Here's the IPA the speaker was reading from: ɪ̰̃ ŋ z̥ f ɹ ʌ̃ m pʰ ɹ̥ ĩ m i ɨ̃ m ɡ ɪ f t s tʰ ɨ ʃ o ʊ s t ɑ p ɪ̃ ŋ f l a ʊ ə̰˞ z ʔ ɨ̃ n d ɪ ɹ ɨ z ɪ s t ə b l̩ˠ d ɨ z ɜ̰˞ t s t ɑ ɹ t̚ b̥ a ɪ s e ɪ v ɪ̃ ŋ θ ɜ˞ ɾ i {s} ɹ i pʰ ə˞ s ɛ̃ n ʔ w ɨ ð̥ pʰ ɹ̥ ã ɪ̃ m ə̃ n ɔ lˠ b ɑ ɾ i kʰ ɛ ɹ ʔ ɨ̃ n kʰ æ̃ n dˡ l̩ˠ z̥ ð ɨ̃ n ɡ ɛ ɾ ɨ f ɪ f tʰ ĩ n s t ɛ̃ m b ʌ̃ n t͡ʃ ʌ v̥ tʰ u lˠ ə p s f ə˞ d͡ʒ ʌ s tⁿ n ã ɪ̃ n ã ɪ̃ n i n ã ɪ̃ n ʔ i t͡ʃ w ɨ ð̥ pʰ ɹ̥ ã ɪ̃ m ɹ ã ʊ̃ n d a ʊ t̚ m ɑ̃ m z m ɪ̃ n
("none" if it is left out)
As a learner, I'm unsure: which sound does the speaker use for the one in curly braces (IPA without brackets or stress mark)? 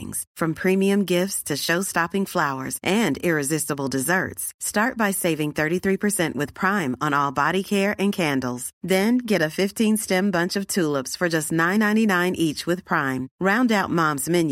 θ